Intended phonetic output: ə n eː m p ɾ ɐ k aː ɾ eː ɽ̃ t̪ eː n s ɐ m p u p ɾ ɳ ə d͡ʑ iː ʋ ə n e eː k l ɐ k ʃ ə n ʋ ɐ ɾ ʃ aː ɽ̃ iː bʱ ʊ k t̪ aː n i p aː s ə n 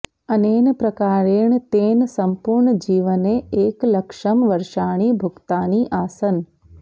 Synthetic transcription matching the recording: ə n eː n p ɾ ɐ k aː ɾ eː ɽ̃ t̪ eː n s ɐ m p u ɾ ɳ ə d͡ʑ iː ʋ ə n e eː k l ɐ k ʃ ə m ʋ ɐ ɾ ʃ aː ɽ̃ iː bʱ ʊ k t̪ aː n i ʔ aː s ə n

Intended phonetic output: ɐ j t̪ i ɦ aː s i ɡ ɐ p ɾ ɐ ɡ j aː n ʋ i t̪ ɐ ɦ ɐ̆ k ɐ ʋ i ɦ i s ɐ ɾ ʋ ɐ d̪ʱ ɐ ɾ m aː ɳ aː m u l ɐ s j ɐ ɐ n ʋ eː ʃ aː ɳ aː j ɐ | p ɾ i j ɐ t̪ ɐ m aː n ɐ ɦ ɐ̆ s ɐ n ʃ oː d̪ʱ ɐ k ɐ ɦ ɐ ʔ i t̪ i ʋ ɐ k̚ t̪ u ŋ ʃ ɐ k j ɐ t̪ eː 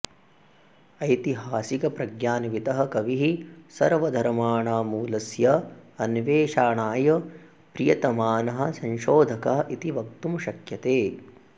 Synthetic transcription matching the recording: ɐ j t̪ i ɦ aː s i k ɐ p ɾ ɐ ɡ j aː n ʋ i t̪ ɐ ɦ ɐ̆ k ɐ ʋ i ɦ i s ɐ ɾ ʋ ɐ d̪ʱ ɐ ɾ m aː ɳ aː m uː l ɐ s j ɐ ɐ n ʋ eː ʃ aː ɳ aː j ɐ | p ɾ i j ɐ t̪ ɐ m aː n ɐ ɦ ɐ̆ s ɐ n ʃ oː d̪ʱ ɐ k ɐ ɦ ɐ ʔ i t̪ i ʋ ɐ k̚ t̪ u m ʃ ɐ k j ɐ t̪ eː

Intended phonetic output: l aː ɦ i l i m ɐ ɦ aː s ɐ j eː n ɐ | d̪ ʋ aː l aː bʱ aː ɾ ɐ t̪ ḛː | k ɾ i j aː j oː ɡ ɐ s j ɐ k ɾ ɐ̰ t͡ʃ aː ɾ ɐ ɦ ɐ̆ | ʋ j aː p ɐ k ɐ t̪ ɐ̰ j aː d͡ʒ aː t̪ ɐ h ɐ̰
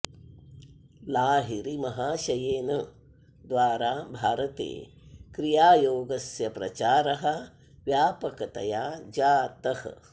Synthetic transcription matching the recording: l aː ɦ i ɾ i m ɐ ɦ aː ʃ ɐ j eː n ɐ | d̪ ʋ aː ɾ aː bʱ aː ɾ ɐ t̪ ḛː | k ɾ i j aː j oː ɡ ɐ s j ɐ p ɾ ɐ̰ t͡ʃ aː ɾ ɐ ɦ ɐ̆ | ʋ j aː p ɐ k ɐ t̪ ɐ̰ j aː d͡ʒ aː t̪ ɐ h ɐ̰

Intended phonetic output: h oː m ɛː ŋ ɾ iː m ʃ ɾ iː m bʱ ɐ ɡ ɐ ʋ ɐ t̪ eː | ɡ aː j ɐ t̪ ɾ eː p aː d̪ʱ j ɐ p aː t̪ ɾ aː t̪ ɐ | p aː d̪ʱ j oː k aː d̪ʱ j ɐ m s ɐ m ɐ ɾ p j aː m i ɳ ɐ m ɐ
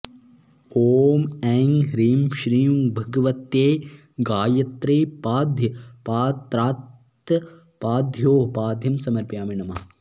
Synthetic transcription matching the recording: h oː m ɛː ŋ ɾ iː m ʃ ɾ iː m bʱ ɐ ɡ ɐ ʋ ɐ t̪ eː | ɡ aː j ɐ t̪ ɾ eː p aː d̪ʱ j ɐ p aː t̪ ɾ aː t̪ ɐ | p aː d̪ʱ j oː p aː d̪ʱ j ɐ m s ɐ m ɐ ɾ p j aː m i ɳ ɐ m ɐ

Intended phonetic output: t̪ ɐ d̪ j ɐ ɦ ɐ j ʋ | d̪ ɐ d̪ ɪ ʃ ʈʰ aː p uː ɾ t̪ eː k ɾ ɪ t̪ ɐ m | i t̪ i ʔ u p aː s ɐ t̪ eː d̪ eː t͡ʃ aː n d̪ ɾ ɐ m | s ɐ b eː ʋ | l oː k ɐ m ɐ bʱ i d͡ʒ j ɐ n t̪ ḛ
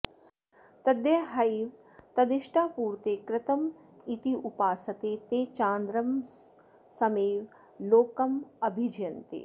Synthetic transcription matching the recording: t̪ ɐ d̪ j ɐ ɦ ɐ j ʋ | t̪ ɐ d̪ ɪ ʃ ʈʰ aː p uː ɾ t̪ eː k ɾ ɪ t̪ ɐ m | i t̪ i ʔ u p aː s ɐ t̪ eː t̪ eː t͡ʃ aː n d̪ ɾ ɐ m | s ɐ m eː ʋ | l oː k ɐ m ɐ bʱ i d͡ʒ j ɐ n t̪ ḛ

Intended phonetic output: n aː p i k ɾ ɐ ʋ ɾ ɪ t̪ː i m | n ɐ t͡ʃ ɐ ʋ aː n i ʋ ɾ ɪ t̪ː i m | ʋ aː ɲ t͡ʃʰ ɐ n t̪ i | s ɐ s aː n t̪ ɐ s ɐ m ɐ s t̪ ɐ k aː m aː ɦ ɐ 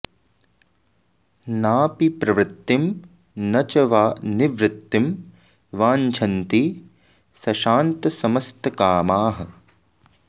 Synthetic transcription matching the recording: n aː p i p ɾ ɐ ʋ ɾ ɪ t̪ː i m | n ɐ t͡ʃ ɐ ʋ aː n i ʋ ɾ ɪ t̪ː i m | ʋ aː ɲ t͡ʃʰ ɐ n t̪ i | s ɐ ʃ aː n t̪ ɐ s ɐ m ɐ s t̪ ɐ k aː m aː ɦ ɐ

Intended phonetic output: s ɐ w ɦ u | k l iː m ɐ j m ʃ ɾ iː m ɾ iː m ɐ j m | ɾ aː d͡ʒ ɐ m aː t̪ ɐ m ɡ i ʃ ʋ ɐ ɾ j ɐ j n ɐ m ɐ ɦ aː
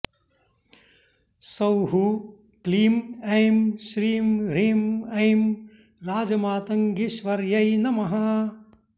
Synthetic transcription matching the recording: s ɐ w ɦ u | k l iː m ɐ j m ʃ ɾ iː m ɾ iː m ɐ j m | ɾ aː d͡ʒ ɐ m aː t̪ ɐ ŋ ɡ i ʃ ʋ ɐ ɾ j ɐ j n ɐ m ɐ ɦ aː

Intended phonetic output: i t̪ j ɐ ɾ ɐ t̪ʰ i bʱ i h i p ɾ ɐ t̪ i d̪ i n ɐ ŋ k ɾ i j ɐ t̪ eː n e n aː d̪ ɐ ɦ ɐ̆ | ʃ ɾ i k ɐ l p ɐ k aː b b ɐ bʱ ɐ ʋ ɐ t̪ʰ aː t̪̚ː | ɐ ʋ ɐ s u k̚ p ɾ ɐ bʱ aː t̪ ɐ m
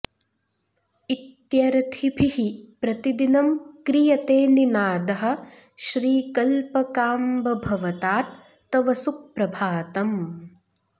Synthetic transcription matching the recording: i t̪ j ɐ ɾ ɐ t̪ʰ i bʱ i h i p ɾ ɐ t̪ i d̪ i n ɐ m k ɾ i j ɐ t̪ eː n i n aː d̪ ɐ ɦ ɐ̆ | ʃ ɾ iː k ɐ l p ɐ k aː m b ɐ bʱ ɐ ʋ ɐ t̪ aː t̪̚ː | ɐ ʋ ɐ s u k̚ p ɾ ɐ bʱ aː t̪ ɐ m

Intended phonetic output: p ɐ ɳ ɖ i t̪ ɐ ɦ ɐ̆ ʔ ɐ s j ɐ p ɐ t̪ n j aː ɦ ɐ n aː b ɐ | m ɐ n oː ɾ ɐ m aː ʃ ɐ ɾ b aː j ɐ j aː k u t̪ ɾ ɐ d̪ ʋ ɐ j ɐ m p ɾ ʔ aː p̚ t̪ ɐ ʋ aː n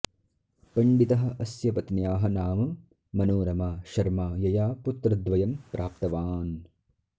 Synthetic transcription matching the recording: p ɐ ɳ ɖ i t̪ ɐ ɦ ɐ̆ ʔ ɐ s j ɐ p ɐ t̪ n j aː ɦ ɐ n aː m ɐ | m ɐ n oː ɾ ɐ m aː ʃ ɐ ɾ m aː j ɐ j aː p u t̪ ɾ ɐ d̪ ʋ ɐ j ɐ m p ɾ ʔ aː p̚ t̪ ɐ ʋ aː n

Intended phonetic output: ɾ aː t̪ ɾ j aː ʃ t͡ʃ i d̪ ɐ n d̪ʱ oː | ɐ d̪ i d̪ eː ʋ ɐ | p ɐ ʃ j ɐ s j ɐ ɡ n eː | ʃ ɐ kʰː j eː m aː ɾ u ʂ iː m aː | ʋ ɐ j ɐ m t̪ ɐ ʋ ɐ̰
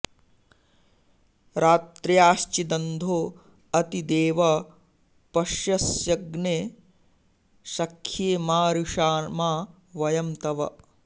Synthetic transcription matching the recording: ɾ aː t̪ ɾ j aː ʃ t͡ʃ i d̪ ɐ n d̪ʱ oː | ɐ t̪ i d̪ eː ʋ ɐ | p ɐ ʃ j ɐ s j ɐ ɡ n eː | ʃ ɐ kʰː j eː m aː ɾ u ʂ aː m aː | ʋ ɐ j ɐ m t̪ ɐ ʋ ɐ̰

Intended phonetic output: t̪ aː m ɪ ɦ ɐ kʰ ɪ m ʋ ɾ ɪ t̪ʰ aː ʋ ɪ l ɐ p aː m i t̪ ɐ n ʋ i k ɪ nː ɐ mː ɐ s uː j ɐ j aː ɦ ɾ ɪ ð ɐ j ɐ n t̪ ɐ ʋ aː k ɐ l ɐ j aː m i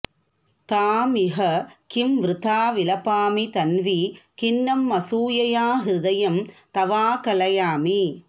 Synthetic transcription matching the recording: t̪ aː m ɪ ɦ ɐ k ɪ m ʋ ɾ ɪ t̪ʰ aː ʋ ɪ l ɐ p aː m i t̪ ɐ n ʋ i k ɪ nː ɐ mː ɐ s uː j ɐ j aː ɦ ɾ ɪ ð ɐ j ɐ m t̪ ɐ ʋ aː k ɐ l ɐ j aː m i

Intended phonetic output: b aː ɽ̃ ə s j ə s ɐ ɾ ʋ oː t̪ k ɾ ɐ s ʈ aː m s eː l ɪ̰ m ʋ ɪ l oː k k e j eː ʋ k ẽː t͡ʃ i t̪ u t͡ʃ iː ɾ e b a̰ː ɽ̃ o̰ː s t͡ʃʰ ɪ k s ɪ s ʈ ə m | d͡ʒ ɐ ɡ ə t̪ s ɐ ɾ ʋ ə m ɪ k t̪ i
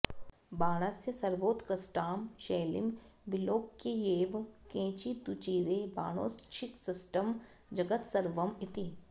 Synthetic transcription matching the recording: b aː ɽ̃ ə s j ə s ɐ ɾ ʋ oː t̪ k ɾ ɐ s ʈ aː m ʃ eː l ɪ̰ m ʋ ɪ l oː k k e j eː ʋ k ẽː t͡ʃ i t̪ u t͡ʃ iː ɾ e b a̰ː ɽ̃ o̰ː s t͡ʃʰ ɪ k s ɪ s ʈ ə m | d͡ʒ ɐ ɡ ə t̪ s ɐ ɾ ʋ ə m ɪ t̪ i

